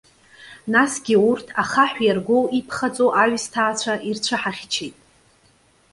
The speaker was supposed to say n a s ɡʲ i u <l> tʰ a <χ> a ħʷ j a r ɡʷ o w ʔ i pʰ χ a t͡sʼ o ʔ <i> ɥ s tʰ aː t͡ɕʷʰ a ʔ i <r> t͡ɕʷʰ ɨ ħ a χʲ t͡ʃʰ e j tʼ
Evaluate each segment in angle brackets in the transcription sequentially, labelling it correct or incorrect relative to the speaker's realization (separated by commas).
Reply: incorrect, correct, incorrect, correct